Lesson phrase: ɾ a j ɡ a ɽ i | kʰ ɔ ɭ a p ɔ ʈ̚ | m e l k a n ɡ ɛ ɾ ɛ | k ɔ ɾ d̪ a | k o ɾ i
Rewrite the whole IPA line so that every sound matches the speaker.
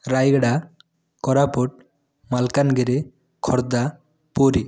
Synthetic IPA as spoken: ɾ a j ɡ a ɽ a | k ɔ ɾ a p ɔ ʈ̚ | m a l k a n ɡ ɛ ɾ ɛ | kʰ ɔ ɾ d̪ a | p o ɾ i